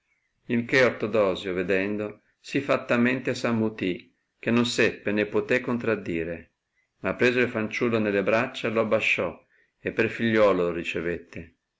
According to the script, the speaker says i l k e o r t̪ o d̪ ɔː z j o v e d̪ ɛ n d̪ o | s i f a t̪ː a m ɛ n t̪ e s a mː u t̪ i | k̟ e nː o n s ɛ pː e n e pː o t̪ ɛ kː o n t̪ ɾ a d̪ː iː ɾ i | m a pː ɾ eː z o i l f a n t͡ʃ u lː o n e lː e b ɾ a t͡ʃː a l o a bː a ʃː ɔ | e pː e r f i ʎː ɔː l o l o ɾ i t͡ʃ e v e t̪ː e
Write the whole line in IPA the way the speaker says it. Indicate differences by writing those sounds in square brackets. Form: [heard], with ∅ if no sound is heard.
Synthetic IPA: i l k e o r t̪ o d̪ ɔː z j o v e d̪ ɛ n d̪ o | s i f a t̪ː a m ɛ n t̪ e s a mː u t̪ i | k̟ e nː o n s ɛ pː e n e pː o t̪ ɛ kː o n t̪ ɾ a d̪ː iː ɾ [e] | m a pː ɾ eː z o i l f a n t͡ʃ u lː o n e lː e b ɾ a t͡ʃː a l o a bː a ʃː ɔ | e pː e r f i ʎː ɔː l o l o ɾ i t͡ʃ e v e t̪ː e